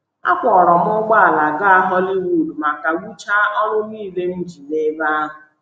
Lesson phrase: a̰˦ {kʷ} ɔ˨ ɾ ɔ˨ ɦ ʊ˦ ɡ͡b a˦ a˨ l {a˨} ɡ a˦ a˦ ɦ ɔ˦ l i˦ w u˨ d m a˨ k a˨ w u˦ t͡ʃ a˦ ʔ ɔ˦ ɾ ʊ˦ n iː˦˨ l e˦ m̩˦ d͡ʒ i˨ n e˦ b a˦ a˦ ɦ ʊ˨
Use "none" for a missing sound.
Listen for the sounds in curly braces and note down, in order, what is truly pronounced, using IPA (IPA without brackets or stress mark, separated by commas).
kʷ, a˨